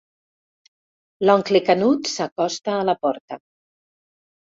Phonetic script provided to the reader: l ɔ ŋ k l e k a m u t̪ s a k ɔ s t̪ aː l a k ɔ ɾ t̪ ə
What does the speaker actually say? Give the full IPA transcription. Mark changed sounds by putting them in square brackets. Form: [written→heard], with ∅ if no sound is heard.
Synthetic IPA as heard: l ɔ ŋ k l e k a [m→n] u t̪ s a k ɔ s t̪ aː l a [k→p] ɔ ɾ t̪ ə